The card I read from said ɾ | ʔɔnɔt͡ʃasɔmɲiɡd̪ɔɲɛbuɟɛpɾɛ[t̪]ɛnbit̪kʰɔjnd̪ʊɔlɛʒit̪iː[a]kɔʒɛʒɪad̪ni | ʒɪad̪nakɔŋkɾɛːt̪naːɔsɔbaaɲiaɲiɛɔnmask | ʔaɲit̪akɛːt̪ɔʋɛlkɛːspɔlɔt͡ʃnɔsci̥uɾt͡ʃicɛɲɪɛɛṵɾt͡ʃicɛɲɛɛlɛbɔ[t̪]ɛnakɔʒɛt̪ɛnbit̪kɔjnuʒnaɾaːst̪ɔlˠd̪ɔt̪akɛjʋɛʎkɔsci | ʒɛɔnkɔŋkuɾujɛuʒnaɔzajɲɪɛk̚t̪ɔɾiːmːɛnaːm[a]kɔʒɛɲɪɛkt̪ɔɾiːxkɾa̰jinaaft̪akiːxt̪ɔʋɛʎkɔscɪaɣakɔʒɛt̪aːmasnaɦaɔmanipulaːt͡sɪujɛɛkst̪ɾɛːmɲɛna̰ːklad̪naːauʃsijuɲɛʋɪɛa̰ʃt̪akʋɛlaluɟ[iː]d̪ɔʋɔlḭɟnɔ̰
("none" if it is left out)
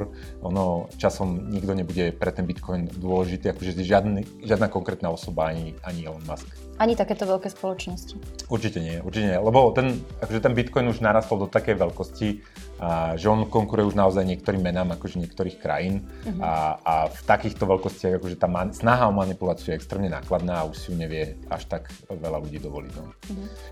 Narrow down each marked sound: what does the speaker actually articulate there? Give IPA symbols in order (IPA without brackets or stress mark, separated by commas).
t̪, a, t̪, a, iː